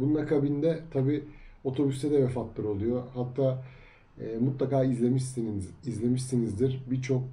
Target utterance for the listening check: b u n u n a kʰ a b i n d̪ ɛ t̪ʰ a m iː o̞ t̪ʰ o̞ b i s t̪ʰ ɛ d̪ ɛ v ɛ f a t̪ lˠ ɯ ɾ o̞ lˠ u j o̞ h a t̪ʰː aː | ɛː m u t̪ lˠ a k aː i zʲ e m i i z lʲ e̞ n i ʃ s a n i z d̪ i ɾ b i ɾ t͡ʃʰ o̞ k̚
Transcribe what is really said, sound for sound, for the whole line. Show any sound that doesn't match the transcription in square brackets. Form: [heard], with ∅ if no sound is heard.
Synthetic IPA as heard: b u n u n a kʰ a b i n d̪ ɛ t̪ʰ a [b] iː o̞ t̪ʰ o̞ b [y] s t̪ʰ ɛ d̪ ɛ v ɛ f a t̪ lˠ ɯ ɾ o̞ lˠ u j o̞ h a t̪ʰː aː | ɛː m u t̪ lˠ a k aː i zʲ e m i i z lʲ e̞ [m] i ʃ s [i] n i z d̪ i ɾ b i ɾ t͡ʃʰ o̞ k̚